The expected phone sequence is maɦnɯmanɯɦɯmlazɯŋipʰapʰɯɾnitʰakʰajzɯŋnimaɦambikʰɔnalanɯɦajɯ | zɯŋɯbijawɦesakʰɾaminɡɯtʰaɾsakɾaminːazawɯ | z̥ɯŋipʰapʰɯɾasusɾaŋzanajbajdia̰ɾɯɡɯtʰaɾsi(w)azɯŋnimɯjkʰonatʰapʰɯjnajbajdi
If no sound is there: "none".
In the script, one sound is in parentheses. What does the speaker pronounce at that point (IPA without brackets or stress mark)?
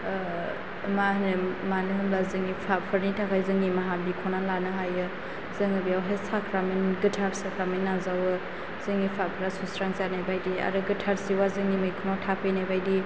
w